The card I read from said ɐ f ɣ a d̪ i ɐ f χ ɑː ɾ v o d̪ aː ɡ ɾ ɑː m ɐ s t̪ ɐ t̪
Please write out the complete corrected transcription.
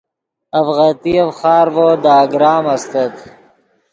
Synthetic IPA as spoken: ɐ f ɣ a t̪ i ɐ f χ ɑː ɾ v o d̪ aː ɡ ɾ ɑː m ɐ s t̪ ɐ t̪